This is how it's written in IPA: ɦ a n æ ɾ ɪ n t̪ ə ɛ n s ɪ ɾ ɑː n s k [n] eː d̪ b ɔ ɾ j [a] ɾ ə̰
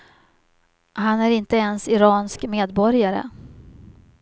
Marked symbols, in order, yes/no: no, yes

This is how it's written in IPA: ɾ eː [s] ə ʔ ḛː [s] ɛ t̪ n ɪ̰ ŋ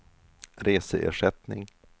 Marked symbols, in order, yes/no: yes, no

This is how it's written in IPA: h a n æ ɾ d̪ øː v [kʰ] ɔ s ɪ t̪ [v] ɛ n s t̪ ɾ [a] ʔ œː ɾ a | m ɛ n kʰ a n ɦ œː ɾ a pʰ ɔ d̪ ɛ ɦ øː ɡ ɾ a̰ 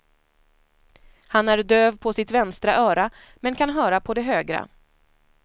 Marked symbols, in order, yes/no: no, yes, yes

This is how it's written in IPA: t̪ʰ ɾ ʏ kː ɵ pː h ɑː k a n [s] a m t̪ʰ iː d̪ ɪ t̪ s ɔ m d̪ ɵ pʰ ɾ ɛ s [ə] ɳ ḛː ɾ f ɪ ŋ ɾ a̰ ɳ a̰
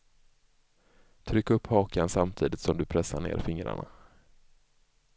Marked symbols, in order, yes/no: yes, no

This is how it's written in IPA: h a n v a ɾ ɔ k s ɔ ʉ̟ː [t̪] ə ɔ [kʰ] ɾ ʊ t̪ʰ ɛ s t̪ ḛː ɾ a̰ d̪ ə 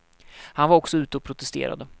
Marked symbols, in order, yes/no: yes, no

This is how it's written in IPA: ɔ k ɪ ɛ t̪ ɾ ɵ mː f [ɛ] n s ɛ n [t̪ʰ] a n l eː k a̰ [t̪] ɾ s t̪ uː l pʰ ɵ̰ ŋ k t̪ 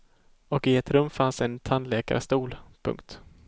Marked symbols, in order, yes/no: no, yes, no

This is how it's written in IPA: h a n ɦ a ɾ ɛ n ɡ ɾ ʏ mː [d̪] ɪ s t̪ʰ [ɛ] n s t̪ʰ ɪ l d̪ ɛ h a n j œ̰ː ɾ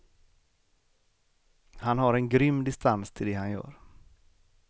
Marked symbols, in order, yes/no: yes, no

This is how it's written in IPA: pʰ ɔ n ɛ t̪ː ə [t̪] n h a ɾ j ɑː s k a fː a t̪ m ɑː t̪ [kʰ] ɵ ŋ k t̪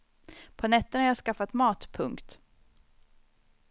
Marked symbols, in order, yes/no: no, no

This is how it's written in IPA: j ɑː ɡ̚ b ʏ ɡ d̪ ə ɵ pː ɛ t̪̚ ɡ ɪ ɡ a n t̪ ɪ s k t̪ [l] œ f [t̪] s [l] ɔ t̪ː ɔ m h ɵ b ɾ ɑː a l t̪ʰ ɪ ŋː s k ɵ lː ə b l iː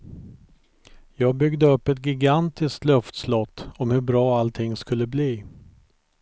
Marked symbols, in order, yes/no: yes, yes, yes

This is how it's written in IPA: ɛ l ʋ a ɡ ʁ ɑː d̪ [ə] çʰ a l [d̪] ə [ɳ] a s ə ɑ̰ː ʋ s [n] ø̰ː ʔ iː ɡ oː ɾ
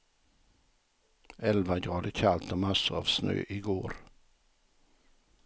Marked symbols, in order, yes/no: yes, no, no, yes

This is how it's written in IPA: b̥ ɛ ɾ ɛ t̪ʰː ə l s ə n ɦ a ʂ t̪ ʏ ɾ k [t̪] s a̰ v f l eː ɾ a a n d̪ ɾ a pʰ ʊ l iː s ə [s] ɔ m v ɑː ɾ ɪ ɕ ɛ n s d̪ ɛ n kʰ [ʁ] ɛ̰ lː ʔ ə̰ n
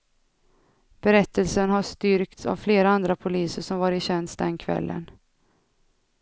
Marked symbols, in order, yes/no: yes, no, no

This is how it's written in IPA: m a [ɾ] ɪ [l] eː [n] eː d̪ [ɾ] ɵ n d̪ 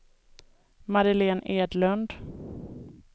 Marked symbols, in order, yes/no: yes, yes, yes, no

